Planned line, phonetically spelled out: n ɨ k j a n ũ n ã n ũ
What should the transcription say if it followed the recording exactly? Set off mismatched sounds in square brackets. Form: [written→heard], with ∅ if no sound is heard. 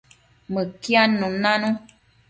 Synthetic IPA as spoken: [n→m] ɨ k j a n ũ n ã n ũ